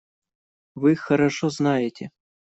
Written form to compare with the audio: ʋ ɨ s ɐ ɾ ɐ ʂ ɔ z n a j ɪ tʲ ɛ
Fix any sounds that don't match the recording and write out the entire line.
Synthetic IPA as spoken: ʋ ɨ x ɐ ɾ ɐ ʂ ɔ z n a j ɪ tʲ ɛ